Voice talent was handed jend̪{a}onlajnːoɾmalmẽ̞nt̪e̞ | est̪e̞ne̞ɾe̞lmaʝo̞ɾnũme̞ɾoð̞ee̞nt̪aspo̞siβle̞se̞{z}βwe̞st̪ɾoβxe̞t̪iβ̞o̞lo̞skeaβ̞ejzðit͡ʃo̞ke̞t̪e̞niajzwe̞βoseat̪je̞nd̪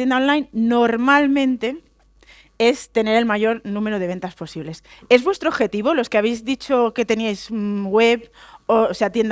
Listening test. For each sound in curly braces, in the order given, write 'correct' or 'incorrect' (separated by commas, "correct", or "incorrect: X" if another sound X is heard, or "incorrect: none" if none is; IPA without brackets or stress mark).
correct, correct